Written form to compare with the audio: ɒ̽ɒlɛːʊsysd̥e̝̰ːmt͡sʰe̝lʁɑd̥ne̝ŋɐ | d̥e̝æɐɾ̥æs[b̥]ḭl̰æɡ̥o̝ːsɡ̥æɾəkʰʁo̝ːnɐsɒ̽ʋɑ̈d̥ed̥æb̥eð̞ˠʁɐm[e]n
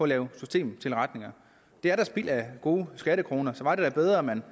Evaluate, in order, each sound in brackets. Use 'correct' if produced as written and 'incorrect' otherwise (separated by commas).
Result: correct, incorrect